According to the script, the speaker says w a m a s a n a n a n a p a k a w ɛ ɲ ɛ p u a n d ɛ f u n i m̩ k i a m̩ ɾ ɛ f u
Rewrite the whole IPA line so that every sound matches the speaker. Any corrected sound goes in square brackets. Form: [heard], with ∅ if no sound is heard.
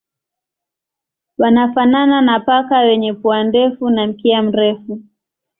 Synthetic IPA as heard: w a [n] a [f] a n a n a n a p a k a w ɛ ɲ ɛ p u a n d ɛ f u n [a] m̩ k i a m̩ ɾ ɛ f u